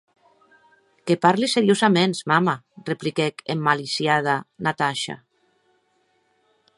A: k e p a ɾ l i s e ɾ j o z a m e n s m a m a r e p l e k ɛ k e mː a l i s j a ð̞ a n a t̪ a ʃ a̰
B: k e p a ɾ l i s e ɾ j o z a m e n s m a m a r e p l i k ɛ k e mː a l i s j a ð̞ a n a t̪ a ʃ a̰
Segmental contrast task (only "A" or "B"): B